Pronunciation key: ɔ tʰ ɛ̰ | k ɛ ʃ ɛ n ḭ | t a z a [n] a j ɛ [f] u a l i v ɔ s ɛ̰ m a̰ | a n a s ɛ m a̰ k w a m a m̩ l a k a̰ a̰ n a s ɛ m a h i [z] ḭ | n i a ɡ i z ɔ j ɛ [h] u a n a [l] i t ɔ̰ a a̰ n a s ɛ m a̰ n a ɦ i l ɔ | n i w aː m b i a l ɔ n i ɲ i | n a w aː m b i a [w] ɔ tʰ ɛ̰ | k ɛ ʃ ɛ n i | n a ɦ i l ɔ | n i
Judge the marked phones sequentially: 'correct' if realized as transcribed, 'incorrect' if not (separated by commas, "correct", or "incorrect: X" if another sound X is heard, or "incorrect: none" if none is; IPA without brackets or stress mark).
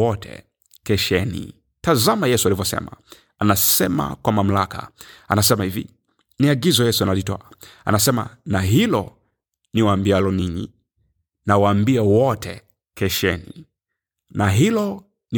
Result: incorrect: m, incorrect: s, incorrect: v, incorrect: s, correct, correct